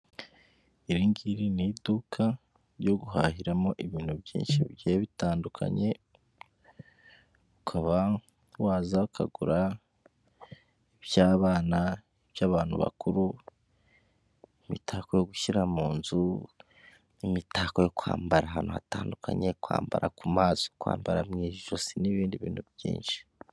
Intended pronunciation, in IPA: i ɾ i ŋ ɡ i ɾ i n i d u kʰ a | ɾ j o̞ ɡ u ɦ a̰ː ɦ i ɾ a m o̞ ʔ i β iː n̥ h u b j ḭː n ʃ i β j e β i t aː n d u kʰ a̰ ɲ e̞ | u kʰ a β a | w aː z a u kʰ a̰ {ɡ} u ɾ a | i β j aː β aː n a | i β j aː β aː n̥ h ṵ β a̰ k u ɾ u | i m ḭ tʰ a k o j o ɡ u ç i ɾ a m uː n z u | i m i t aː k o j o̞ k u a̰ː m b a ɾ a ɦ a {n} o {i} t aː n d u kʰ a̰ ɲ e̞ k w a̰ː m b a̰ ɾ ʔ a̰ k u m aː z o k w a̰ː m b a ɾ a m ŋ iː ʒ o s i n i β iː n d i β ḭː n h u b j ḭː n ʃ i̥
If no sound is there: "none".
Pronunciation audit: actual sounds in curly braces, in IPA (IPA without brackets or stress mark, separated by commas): ɡ, n, a